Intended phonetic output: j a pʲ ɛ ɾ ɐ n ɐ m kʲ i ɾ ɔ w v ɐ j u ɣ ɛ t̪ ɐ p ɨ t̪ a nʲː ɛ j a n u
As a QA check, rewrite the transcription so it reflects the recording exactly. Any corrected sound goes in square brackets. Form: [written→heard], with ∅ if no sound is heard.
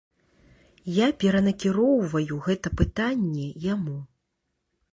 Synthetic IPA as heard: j a pʲ ɛ ɾ ɐ n ɐ [m→∅] kʲ i ɾ ɔ w v ɐ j u ɣ ɛ t̪ ɐ p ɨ t̪ a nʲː ɛ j a [n→m] u